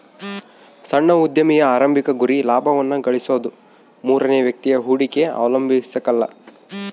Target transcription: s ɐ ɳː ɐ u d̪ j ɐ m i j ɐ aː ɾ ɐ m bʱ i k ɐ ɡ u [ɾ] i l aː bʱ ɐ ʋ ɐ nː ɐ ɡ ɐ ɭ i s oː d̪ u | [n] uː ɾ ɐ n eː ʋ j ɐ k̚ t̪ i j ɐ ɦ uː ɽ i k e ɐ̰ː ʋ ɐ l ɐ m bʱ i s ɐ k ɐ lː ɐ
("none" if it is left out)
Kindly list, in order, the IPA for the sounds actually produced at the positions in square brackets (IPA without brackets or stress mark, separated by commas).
ɾ, m